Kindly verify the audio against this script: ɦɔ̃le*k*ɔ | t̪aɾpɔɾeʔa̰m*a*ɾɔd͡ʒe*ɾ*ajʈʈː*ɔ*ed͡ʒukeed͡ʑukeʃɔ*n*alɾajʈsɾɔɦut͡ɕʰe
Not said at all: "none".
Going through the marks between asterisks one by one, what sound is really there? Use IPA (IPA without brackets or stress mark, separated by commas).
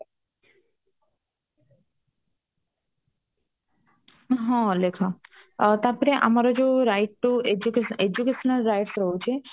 kʰ, a, ɾ, u, n